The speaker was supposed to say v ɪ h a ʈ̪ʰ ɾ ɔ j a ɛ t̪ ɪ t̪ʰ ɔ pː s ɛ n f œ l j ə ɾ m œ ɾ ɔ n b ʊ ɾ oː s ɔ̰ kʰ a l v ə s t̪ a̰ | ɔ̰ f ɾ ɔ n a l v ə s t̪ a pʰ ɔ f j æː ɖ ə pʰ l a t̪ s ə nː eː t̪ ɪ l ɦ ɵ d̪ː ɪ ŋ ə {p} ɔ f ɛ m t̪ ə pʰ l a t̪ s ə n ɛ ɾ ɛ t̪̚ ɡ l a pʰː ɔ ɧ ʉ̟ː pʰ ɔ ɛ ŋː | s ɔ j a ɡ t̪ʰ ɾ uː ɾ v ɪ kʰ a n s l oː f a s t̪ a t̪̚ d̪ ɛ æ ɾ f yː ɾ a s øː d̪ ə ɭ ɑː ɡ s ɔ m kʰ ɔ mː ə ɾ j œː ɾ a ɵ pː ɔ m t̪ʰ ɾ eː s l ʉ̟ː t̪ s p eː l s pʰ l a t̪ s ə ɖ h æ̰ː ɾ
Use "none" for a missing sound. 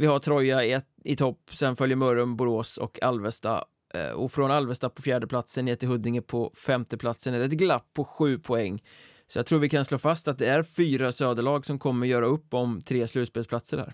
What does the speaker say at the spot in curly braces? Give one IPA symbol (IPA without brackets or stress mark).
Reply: pʰ